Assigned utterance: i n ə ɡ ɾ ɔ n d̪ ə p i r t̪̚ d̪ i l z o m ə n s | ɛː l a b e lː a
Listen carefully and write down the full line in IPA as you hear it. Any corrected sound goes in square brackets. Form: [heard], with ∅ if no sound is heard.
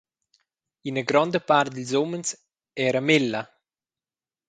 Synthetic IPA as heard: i n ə ɡ ɾ ɔ n d̪ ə p [a] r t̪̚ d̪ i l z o m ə n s | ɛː [ɾ] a [m] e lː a